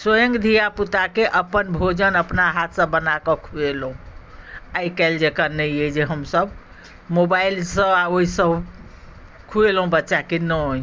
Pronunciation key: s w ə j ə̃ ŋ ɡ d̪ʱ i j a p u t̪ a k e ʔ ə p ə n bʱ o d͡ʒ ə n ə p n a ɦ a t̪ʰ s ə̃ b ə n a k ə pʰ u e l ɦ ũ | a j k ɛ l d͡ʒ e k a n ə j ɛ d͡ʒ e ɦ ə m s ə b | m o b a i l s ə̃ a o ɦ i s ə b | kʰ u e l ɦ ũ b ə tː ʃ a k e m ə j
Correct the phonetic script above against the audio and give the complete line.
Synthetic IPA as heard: s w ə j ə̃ ŋ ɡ d̪ʱ i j a p u t̪ a k e ʔ ə p ə n bʱ o d͡ʒ ə n ə p n a ɦ a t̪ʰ s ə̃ b ə n a k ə kʰ u e l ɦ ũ | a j k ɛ l d͡ʒ e k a n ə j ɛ d͡ʒ e ɦ ə m s ə b | m o b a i l s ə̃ a o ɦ i s ə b | kʰ u e l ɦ ũ b ə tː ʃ a k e n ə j